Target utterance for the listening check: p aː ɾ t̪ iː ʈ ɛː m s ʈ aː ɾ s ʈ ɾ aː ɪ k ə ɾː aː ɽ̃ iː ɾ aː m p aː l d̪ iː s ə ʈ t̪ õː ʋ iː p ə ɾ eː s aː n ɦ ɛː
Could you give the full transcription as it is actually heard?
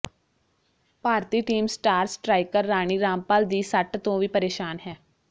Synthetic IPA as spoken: p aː ɾ t̪ iː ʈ iː m s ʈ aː ɾ s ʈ ɾ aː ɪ k ə ɾː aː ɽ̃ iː ɾ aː m p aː l d̪ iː s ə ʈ t̪ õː ʋ iː p ə ɾ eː ʃ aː n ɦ ɛː